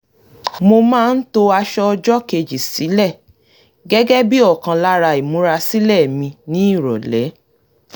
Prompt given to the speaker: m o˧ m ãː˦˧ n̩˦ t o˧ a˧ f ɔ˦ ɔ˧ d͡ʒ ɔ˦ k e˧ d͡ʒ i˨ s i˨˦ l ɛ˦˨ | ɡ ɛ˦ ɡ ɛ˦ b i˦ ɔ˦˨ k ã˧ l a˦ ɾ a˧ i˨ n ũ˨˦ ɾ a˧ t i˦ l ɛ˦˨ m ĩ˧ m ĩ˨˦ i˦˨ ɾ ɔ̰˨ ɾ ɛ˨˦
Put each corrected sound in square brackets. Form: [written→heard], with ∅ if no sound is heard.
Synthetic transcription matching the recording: m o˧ m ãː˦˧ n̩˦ t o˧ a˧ [f→ʃ] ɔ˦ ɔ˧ d͡ʒ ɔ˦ k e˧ d͡ʒ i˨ s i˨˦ l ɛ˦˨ | ɡ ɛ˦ ɡ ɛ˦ b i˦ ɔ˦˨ k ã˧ l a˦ ɾ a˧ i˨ [n→m] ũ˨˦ ɾ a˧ [t→s] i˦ l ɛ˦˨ m ĩ˧ [m→n] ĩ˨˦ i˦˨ ɾ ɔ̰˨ [ɾ→l] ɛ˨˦

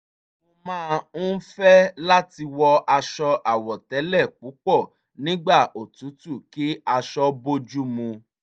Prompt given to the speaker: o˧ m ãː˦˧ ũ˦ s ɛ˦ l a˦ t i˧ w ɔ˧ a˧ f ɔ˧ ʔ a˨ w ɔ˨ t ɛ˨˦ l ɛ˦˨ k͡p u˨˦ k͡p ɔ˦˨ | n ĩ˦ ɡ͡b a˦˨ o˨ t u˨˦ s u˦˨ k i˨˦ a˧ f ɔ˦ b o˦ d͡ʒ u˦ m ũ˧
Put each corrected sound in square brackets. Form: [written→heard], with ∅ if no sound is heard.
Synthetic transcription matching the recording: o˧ m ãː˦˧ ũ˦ [s→f] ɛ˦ l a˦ t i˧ w ɔ˧ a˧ [f→ʃ] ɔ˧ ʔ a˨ w ɔ˨ t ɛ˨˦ l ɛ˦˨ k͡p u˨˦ k͡p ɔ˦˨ | n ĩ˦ ɡ͡b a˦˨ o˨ t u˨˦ [s→t] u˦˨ k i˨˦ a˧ [f→ʃ] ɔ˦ b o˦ d͡ʒ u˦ m ũ˧

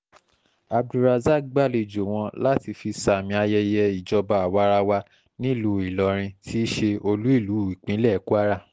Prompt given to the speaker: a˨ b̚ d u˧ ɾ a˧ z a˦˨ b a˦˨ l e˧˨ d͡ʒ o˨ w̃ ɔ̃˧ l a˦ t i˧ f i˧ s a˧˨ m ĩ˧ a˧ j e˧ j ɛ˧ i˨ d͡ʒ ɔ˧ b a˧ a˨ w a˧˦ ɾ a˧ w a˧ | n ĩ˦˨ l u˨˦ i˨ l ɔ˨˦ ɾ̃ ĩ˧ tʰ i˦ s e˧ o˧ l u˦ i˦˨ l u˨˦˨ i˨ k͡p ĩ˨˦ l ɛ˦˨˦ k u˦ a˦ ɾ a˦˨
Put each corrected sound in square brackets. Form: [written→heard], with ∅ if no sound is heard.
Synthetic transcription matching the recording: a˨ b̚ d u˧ ɾ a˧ z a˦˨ [b→ɡ͡b] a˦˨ l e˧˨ d͡ʒ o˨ w̃ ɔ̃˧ l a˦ t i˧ f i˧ s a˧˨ m ĩ˧ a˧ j [e˧→ɛ˧] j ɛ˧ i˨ d͡ʒ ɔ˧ b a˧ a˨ w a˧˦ ɾ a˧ w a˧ | n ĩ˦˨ l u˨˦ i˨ l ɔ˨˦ ɾ̃ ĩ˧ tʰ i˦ [s→ʃ] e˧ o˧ l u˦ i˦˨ l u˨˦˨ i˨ k͡p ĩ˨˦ l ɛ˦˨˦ k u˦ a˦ ɾ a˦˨

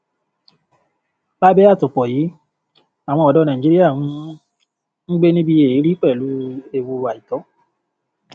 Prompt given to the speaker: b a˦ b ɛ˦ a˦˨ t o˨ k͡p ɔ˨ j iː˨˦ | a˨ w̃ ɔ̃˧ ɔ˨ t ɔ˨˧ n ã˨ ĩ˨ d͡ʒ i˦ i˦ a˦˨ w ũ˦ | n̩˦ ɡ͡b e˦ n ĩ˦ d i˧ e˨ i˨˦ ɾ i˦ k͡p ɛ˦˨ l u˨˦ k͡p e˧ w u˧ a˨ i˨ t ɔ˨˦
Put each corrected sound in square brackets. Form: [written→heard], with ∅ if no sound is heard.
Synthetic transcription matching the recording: b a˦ b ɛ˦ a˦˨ t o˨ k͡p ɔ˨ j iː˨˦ | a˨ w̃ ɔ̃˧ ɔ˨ [t→d] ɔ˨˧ n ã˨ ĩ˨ d͡ʒ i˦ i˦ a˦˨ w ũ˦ | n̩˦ ɡ͡b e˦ n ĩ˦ [d→b] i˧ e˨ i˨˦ ɾ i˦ k͡p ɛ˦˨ l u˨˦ [k͡p→∅] e˧ w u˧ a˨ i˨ t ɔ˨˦

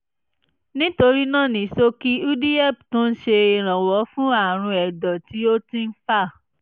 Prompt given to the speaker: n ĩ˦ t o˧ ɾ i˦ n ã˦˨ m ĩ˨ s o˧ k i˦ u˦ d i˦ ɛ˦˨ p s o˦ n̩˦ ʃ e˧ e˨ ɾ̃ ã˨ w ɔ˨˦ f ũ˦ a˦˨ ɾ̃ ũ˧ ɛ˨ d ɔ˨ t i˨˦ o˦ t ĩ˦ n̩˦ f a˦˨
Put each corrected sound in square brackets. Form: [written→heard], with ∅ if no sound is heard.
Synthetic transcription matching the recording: n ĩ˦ t o˧ ɾ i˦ n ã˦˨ [m→n] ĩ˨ s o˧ k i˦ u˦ d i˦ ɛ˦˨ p [s→t] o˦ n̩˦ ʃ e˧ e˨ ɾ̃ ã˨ w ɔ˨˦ f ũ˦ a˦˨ ɾ̃ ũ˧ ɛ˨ d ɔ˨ t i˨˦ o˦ t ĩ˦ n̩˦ f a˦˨

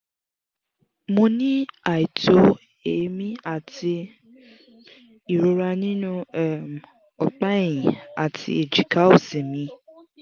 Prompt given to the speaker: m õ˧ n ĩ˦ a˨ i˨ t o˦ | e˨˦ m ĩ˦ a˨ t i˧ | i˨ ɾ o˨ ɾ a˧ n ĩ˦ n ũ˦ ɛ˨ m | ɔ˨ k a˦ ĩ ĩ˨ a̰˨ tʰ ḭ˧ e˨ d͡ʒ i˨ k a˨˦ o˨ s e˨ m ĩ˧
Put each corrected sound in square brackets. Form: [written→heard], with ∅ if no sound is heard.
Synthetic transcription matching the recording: m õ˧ n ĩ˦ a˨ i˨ t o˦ | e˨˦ m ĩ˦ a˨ t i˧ | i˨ ɾ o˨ ɾ a˧ n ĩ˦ n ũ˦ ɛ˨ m | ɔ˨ [k→k͡p] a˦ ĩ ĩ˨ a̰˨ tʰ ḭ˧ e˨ d͡ʒ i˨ k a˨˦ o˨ s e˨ m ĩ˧

